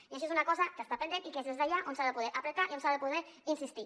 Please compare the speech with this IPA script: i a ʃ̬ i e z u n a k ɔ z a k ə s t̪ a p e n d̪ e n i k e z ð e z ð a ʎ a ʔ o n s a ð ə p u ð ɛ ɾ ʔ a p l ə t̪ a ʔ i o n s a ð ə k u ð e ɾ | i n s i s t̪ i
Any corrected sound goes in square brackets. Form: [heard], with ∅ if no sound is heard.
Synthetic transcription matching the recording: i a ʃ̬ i e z u n a k ɔ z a k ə s t̪ a p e n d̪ e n i k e z ð e z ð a ʎ a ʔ o n s a ð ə p u ð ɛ ɾ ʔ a p [ɾ] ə t̪ a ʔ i o n s a ð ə [p] u ð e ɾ | i n s i s t̪ i